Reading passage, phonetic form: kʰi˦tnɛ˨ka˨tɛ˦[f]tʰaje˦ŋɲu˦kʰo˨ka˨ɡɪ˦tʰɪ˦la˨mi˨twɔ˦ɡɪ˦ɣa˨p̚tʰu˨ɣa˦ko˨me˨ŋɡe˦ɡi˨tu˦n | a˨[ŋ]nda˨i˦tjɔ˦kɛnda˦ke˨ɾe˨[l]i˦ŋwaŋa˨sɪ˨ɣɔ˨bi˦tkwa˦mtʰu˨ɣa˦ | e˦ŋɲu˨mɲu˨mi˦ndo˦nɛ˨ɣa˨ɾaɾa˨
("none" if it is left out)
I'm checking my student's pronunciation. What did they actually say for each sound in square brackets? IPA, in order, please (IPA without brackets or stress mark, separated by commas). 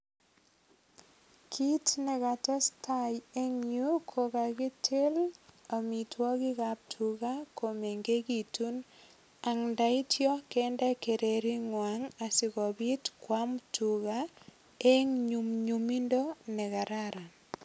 s, ŋ, ɾ